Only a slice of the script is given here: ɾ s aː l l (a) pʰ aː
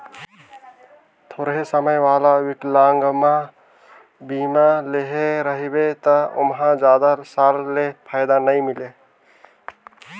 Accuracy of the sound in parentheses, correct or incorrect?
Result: incorrect